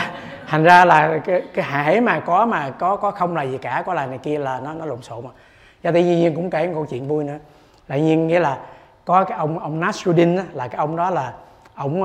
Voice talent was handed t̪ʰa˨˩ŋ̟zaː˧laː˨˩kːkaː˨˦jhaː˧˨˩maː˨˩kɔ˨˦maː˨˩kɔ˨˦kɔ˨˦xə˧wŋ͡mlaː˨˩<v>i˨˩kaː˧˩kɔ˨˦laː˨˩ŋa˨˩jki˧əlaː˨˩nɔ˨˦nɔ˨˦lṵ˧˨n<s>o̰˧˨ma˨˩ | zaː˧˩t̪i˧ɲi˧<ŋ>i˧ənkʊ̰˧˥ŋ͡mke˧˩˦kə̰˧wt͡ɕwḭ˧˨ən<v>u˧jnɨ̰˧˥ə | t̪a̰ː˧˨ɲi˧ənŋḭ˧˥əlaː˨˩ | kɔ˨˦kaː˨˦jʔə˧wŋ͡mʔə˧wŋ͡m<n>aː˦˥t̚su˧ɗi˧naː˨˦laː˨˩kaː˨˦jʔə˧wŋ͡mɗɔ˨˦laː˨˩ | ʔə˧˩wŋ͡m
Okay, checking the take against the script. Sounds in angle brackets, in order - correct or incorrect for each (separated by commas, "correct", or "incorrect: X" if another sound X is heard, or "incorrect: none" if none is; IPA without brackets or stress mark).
incorrect: z, correct, incorrect: ɲ, correct, correct